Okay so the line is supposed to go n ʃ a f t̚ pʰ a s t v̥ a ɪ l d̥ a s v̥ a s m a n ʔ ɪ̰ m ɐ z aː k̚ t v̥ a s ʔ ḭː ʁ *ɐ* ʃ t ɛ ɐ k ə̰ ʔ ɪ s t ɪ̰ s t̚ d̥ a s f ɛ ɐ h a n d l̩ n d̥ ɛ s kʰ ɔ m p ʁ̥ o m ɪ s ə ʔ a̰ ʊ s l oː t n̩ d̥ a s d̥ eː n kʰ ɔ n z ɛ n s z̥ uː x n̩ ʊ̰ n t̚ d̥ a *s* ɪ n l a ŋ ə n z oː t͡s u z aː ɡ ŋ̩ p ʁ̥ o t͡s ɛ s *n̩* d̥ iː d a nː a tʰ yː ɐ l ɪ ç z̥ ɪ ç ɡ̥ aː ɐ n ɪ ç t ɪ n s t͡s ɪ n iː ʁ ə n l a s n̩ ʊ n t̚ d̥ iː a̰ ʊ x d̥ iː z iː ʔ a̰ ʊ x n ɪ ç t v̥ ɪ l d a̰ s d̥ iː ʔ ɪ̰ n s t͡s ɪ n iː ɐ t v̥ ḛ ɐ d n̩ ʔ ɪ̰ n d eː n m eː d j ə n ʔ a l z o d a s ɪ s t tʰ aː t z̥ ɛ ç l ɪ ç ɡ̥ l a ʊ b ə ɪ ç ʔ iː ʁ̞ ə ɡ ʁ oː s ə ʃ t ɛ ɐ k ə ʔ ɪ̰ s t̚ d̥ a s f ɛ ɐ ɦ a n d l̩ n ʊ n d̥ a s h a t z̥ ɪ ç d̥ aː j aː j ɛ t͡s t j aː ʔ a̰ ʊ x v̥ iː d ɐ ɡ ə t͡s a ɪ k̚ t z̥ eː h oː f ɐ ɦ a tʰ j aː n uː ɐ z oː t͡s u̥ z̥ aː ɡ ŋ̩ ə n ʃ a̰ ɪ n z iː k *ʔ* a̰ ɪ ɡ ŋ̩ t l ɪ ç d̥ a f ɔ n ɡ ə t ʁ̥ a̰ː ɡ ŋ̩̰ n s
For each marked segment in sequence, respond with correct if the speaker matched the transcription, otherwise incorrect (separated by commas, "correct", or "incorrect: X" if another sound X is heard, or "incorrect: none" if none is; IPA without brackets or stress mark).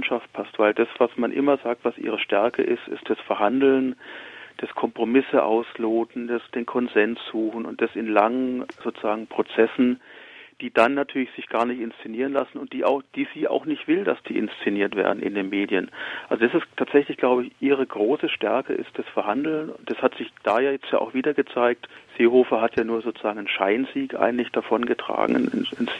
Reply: incorrect: ə, correct, correct, correct